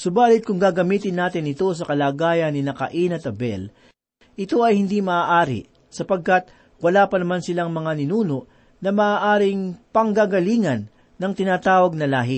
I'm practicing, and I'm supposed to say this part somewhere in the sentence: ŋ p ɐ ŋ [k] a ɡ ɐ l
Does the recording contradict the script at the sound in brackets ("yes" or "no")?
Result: yes